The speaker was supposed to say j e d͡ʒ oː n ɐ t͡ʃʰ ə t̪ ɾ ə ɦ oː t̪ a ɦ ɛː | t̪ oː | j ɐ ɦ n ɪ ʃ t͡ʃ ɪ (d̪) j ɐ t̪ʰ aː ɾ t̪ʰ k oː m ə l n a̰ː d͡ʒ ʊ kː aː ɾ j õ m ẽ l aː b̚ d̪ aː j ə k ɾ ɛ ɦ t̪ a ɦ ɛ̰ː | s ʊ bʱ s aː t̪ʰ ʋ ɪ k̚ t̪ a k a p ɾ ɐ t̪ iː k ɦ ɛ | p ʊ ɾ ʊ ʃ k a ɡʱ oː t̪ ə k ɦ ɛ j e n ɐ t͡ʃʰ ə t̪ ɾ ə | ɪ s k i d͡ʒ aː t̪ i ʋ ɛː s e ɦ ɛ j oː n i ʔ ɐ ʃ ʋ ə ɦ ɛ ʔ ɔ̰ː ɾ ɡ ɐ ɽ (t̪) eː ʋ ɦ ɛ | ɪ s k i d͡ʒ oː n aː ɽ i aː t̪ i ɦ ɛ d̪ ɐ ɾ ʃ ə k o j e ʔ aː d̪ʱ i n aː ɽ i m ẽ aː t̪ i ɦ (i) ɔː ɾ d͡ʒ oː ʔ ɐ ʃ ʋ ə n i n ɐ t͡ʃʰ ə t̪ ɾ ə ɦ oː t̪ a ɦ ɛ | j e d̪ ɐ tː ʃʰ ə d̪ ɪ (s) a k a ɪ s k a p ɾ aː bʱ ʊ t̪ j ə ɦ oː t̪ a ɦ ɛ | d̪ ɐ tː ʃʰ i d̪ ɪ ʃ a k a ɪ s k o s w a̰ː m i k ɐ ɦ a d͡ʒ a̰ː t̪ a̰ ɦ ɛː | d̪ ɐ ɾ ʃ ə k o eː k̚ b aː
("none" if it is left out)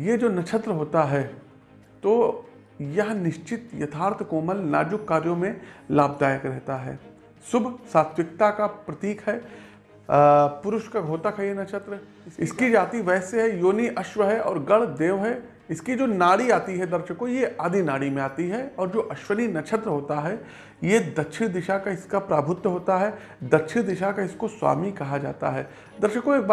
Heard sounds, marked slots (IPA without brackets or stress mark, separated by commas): t̪, d̪, ɛ, ʃ